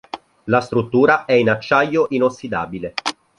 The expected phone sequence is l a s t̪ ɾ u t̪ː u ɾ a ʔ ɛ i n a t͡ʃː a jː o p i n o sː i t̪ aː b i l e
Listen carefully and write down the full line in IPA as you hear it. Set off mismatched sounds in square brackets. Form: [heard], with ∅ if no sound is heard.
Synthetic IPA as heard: l a s t̪ ɾ u t̪ː [uː] ɾ a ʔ ɛ i n a t͡ʃː a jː o [ʔ] i n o sː i [d̪] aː b i l e